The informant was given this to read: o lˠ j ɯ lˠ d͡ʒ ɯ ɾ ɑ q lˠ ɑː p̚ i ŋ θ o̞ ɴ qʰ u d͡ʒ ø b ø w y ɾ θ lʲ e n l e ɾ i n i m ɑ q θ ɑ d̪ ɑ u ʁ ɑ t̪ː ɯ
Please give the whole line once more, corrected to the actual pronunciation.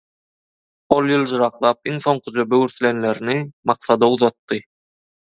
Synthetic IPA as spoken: o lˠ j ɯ lˠ d͡ʒ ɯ ɾ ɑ q lˠ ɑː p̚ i ŋ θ o̞ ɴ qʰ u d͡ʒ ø b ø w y ɾ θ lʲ e n l e ɾ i n i m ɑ q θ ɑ d̪ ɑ u ð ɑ t̪ː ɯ

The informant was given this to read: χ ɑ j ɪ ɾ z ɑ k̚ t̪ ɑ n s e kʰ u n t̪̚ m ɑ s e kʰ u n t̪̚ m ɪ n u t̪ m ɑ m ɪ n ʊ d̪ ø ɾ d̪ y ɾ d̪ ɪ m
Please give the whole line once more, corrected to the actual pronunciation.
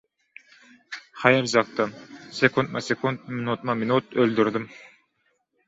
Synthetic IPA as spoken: χ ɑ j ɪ ɾ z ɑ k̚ t̪ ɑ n s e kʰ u n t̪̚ m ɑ s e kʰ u n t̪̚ m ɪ n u t̪ m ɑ m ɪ n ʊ t̪ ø l d̪ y ɾ d̪ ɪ m

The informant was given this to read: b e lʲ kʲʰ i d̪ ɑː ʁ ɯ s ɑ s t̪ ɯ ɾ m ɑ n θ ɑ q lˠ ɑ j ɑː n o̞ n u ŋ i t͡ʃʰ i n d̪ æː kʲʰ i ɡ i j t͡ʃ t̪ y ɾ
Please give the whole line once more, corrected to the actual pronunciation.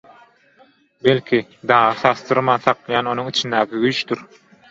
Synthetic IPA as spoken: b e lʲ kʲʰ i d̪ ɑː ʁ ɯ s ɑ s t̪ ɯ ɾ m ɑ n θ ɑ q lˠ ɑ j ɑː n o̞ n u ŋ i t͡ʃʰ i n d̪ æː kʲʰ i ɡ y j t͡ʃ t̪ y ɾ

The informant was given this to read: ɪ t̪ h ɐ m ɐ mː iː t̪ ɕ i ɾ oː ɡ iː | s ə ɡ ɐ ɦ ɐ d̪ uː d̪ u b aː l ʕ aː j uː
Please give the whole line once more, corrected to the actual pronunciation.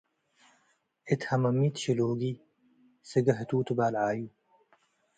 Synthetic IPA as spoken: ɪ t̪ h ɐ m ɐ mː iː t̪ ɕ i l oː ɡ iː | s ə ɡ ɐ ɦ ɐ t̪ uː t̪ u b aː l ʕ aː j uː

